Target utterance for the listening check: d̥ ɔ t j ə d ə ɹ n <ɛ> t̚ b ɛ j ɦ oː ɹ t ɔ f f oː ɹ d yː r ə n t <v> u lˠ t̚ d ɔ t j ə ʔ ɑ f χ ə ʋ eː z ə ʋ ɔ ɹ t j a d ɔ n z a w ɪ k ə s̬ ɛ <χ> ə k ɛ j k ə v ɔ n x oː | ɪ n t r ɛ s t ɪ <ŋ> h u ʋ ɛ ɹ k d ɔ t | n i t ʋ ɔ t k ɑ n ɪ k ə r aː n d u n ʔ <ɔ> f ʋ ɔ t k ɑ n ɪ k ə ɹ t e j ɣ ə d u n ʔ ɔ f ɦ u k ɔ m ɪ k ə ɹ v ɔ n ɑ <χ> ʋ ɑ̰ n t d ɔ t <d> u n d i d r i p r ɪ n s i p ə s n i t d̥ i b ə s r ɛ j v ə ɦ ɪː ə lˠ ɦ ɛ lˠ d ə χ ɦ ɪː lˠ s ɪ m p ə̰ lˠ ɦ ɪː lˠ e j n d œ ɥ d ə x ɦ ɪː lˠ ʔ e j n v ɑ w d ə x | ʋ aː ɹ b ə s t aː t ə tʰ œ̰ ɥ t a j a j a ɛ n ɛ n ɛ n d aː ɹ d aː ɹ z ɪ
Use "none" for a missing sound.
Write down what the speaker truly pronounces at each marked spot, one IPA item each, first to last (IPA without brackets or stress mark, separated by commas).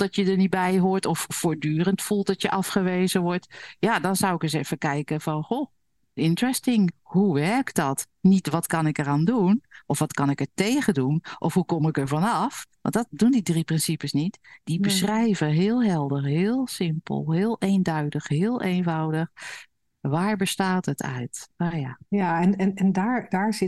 i, f, f, ŋ, ɔ, f, d